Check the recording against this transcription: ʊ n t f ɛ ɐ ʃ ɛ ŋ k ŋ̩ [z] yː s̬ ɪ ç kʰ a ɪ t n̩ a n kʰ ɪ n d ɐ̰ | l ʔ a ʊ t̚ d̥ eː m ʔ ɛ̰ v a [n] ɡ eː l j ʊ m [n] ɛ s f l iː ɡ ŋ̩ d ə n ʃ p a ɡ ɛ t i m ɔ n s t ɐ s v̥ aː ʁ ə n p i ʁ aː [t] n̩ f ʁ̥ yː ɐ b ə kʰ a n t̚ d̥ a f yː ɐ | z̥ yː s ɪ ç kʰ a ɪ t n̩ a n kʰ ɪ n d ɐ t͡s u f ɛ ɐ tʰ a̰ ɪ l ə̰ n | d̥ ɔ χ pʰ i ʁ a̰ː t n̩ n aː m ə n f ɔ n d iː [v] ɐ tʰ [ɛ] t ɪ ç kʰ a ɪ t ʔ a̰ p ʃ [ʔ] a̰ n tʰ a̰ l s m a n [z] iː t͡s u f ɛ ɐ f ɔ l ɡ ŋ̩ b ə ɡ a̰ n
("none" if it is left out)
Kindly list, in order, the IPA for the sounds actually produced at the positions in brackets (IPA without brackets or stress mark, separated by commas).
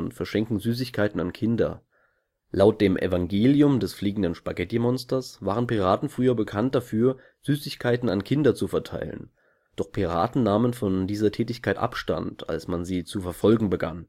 z, ŋ, d, t, z, ɛː, t, z